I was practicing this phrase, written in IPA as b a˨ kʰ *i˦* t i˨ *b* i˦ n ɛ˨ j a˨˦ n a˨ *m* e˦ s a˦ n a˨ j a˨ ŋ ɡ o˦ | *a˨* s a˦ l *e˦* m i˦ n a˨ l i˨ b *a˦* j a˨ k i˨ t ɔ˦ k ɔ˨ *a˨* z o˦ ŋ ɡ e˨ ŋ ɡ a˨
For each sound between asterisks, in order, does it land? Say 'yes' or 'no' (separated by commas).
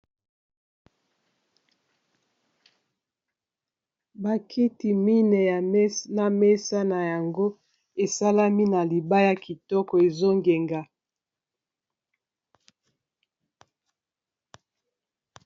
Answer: yes, no, yes, no, no, yes, no